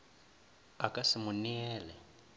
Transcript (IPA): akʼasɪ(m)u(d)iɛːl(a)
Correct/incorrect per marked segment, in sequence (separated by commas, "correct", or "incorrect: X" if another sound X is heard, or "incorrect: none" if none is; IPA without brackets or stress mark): correct, incorrect: n, incorrect: ɛ